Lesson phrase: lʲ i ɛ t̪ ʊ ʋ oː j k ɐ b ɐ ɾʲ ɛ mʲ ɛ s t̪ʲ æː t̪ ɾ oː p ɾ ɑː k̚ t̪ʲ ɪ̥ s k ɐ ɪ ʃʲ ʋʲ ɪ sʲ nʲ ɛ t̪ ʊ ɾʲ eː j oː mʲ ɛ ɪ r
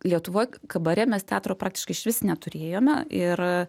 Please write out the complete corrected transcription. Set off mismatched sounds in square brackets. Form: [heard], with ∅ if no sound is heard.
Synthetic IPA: lʲ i ɛ t̪ ʊ ʋ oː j k ɐ b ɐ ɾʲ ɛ mʲ ɛ s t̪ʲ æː t̪ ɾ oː p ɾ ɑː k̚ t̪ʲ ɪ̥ [ʃ] k ɐ ɪ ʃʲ ʋʲ ɪ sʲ nʲ ɛ t̪ ʊ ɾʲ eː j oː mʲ ɛ ɪ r